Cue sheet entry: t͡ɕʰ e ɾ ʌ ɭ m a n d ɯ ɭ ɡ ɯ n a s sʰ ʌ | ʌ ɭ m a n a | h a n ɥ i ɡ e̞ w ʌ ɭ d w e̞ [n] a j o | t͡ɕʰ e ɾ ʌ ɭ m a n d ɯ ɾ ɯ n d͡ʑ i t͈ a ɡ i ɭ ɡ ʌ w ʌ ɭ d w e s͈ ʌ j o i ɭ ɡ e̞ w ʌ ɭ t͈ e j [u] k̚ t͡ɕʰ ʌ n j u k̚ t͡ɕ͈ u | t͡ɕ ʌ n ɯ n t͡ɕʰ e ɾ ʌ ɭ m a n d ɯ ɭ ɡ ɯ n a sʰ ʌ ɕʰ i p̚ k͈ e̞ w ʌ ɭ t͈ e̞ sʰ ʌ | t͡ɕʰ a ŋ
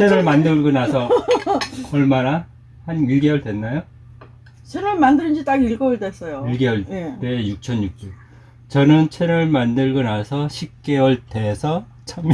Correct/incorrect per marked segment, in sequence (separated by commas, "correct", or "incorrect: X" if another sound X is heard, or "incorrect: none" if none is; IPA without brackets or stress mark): incorrect: nː, correct